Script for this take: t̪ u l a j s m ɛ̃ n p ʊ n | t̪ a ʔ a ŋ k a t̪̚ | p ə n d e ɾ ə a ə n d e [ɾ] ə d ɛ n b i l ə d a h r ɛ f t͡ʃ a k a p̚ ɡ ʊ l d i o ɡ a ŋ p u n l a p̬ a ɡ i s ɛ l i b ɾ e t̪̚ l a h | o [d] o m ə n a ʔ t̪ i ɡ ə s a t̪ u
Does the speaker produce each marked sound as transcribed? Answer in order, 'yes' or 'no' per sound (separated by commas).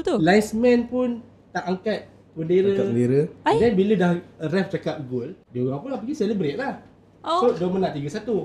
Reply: yes, yes